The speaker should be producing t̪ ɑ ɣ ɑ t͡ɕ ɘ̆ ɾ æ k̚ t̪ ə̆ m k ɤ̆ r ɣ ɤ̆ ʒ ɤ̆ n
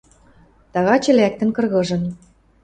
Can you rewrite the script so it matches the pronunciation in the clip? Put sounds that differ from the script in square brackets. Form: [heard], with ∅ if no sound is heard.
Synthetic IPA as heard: t̪ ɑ ɣ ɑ t͡ɕ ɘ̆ [l] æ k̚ t̪ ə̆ [n] k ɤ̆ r ɣ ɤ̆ ʒ ɤ̆ n